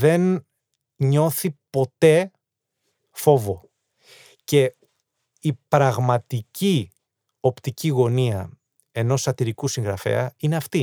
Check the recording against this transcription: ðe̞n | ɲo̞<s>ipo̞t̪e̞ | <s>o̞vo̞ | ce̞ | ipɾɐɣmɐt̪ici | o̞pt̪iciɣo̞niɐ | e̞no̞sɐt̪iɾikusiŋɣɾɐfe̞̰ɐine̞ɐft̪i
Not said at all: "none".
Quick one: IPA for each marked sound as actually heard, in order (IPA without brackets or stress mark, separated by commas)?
θ, f